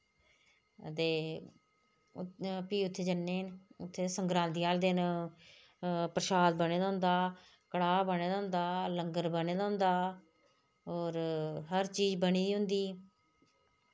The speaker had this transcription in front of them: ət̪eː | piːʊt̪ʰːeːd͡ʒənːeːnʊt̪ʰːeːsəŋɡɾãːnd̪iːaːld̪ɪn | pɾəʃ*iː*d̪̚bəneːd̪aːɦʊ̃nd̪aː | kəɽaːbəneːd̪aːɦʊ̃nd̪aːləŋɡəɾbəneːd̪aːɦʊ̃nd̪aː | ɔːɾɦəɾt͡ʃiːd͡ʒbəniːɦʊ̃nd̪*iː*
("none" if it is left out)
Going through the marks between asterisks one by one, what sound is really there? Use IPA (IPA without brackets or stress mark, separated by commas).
aː, iː